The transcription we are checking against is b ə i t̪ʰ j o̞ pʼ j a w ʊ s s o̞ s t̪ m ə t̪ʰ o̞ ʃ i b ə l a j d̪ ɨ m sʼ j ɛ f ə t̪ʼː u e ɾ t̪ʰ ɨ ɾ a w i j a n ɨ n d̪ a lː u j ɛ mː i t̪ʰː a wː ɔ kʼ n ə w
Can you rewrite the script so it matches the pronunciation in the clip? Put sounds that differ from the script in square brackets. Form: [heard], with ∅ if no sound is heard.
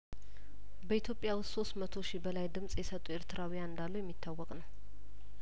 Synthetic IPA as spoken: b ə i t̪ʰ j o̞ pʼ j a w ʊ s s o̞ s t̪ m ə t̪ʰ o̞ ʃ i b ə l a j d̪ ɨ m sʼ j ɛ [s] ə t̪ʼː u e ɾ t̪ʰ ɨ ɾ a w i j a n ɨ n d̪ a lː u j ɛ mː i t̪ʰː a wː ɔ kʼ n ə w